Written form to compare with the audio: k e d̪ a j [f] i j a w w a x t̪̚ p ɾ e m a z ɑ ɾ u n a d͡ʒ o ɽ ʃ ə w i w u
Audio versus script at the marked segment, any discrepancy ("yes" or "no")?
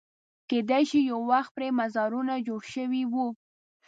yes